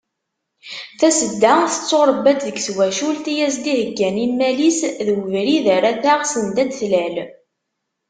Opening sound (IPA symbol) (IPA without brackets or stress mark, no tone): θ